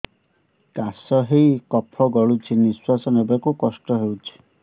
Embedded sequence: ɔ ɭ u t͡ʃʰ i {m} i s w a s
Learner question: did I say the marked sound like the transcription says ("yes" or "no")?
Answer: no